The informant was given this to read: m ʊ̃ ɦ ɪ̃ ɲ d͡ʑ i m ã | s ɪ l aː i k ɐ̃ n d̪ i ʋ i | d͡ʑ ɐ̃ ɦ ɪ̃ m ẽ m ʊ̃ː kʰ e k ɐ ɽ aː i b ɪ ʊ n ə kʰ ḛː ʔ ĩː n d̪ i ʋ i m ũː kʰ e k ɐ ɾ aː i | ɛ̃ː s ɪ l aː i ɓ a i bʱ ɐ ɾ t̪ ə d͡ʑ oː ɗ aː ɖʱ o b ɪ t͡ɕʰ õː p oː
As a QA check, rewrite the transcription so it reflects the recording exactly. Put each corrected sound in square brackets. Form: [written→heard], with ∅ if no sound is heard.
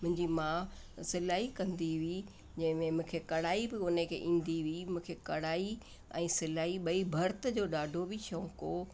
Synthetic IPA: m ʊ̃ ɦ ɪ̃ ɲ d͡ʑ i m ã | s ɪ l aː i k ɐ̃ n d̪ i ʋ i | d͡ʑ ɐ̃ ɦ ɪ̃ m ẽ m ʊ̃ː kʰ e k ɐ ɽ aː i b ɪ ʊ n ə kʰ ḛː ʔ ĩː n d̪ i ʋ i m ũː kʰ e k ɐ [ɾ→ɽ] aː i | ɛ̃ː s ɪ l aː i ɓ [a→ɐ] i bʱ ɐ ɾ t̪ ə d͡ʑ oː ɗ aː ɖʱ o b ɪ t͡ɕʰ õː [p→k] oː